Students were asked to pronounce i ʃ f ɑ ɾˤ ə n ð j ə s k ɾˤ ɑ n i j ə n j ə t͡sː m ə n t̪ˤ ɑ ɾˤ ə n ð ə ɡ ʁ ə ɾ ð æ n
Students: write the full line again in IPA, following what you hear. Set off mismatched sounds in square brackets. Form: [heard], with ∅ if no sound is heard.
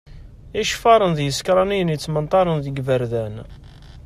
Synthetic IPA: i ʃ f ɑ ɾˤ ə n ð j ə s k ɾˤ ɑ n i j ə n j ə t͡sː m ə n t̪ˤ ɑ ɾˤ ə n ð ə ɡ [v] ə ɾ ð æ n